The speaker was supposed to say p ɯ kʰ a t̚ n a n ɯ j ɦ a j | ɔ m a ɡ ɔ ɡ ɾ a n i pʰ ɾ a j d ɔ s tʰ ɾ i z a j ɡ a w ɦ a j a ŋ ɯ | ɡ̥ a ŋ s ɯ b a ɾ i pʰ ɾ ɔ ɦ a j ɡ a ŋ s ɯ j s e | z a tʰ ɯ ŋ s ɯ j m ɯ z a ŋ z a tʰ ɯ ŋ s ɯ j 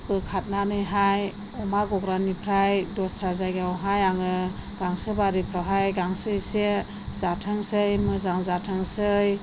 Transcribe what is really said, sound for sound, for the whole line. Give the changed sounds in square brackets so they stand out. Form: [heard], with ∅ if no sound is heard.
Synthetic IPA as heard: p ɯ kʰ a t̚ n a n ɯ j ɦ a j | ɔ m a ɡ ɔ ɡ ɾ a n i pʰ ɾ a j d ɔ s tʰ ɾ [a] z a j ɡ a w ɦ a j a ŋ ɯ | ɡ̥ a ŋ s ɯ b a ɾ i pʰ ɾ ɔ ɦ a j ɡ a ŋ s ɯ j s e | z a tʰ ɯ ŋ s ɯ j m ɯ z a ŋ z a tʰ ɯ ŋ s ɯ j